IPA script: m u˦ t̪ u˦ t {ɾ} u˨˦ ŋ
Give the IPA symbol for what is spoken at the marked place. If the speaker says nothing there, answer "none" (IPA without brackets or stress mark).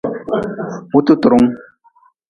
ɾ